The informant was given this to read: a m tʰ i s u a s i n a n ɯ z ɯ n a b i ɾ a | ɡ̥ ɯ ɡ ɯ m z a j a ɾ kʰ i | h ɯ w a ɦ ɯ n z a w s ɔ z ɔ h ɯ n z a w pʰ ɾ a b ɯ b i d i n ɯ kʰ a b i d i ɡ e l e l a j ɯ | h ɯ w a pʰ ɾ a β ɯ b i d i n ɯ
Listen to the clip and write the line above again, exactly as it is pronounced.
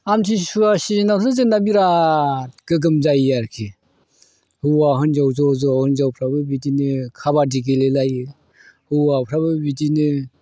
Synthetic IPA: a m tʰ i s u a s i n a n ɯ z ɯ n a b i ɾ a | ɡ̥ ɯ ɡ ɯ m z a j a ɾ kʰ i | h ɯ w a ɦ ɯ n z a w z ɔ z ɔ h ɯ n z a w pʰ ɾ a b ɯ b i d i n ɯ kʰ a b a d i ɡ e l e l a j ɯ | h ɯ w a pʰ ɾ a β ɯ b i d i n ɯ